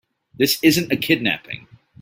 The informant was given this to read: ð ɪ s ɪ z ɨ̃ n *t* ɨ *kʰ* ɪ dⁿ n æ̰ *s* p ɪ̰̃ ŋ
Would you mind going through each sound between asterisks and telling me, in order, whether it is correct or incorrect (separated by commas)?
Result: correct, correct, incorrect